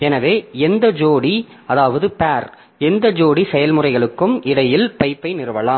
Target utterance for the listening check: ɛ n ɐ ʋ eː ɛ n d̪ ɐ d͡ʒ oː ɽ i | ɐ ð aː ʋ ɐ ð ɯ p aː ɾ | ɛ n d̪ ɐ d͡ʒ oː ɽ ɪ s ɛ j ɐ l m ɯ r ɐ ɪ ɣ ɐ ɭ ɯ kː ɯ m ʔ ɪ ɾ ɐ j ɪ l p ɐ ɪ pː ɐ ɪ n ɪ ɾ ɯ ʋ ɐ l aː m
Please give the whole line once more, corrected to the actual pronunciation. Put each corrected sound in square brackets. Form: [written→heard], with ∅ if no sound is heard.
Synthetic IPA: ɛ n ɐ ʋ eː ɛ n d̪ ɐ d͡ʒ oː ɽ i | ɐ ð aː ʋ ɐ ð ɯ p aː ɾ | ɛ n d̪ ɐ d͡ʒ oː ɽ [ɪ→i] s ɛ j ɐ l m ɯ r ɐ ɪ ɣ ɐ ɭ ɯ kː ɯ m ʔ ɪ [ɾ→ɽ] ɐ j ɪ l p ɐ ɪ pː ɐ ɪ n ɪ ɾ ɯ ʋ ɐ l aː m